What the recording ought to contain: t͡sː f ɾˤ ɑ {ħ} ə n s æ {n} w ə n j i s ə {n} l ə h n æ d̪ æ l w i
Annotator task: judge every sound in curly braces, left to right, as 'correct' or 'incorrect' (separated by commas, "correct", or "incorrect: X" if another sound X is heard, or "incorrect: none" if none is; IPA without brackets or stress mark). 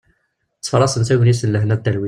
incorrect: s, incorrect: none, correct